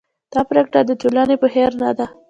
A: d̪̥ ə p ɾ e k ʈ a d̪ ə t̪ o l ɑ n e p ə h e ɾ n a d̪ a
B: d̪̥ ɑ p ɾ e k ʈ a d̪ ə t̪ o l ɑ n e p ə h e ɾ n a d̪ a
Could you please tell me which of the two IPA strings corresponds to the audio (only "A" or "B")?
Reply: B